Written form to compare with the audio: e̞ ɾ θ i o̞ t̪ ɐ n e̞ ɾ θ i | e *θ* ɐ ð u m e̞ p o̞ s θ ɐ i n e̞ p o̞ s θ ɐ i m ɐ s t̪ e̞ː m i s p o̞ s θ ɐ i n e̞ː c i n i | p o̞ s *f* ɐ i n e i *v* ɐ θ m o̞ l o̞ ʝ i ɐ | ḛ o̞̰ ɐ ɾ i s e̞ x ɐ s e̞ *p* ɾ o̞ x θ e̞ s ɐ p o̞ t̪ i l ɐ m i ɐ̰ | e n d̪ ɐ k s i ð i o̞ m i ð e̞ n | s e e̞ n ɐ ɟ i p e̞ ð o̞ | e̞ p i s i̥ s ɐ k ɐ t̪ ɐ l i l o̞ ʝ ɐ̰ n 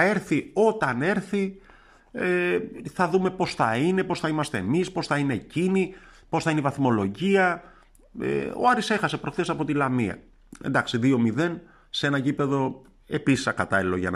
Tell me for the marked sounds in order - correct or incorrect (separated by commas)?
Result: correct, incorrect, correct, correct